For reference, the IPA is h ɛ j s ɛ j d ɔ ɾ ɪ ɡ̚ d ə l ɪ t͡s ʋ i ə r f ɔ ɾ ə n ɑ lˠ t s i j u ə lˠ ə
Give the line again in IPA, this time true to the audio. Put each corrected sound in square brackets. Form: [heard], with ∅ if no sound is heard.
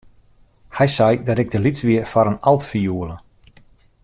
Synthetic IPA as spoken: h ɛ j s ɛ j d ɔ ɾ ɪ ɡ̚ d ə l [i] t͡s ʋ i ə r f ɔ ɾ ə n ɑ lˠ t [f] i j u ə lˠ ə